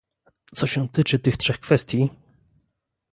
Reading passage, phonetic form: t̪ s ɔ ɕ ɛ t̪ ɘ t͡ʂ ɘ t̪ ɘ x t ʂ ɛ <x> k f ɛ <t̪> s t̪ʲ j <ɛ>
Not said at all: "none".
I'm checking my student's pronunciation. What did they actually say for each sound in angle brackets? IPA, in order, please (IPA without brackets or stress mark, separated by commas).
x, none, i